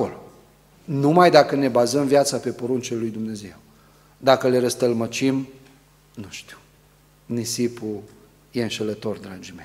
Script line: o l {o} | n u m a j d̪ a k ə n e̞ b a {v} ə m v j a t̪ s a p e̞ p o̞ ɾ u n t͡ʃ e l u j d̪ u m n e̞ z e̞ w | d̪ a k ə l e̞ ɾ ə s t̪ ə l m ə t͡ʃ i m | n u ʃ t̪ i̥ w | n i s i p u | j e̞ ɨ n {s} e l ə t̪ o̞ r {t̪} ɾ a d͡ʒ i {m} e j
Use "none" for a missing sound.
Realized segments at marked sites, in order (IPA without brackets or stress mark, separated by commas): o, z, ʃ, d̪, m